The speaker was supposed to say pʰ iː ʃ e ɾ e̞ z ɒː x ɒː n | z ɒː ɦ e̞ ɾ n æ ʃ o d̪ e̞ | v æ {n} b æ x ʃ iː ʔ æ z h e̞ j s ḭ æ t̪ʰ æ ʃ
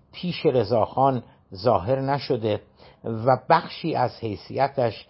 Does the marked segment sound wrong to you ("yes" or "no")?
yes